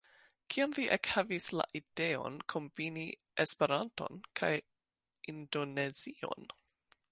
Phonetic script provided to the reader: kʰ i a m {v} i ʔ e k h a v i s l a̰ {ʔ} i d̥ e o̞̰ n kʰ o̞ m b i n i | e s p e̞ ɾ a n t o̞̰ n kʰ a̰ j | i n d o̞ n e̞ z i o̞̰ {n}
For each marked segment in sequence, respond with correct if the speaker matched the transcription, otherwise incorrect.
correct, correct, correct

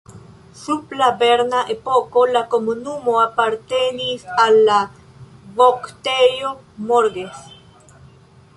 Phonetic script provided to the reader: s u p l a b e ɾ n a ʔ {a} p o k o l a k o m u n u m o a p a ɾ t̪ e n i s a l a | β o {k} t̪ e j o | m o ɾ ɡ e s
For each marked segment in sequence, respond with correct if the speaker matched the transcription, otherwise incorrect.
incorrect: e, correct

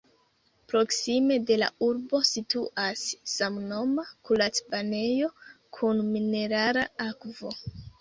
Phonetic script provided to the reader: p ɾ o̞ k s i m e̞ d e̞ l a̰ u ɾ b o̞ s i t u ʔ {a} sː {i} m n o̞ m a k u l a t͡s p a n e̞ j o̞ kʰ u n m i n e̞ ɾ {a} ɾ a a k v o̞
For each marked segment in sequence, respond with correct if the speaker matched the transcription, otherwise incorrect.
correct, incorrect: a, correct

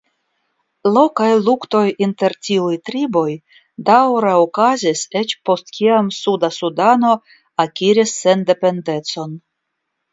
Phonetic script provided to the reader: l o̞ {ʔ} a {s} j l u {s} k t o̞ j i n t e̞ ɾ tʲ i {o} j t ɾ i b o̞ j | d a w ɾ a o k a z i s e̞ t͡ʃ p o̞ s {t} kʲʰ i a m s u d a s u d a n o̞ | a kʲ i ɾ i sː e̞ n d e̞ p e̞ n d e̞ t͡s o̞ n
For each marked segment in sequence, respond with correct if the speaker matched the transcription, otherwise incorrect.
incorrect: k, incorrect: none, incorrect: none, incorrect: u, correct

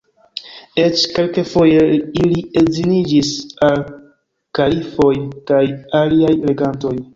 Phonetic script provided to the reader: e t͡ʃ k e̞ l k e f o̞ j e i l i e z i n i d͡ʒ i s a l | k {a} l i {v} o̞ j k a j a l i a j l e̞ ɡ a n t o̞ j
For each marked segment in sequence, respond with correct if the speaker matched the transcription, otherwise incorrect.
correct, incorrect: f

